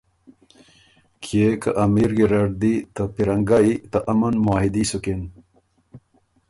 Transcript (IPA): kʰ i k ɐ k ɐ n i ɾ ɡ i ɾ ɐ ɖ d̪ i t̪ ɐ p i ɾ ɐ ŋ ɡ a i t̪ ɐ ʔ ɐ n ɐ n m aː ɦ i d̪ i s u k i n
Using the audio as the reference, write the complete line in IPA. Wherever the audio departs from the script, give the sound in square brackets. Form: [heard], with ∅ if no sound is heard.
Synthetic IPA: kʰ [e] k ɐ [ʔ] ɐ [m] i ɾ ɡ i ɾ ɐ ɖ d̪ i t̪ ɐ p i ɾ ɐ ŋ ɡ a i t̪ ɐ ʔ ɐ [m] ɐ n m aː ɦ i d̪ i s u k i n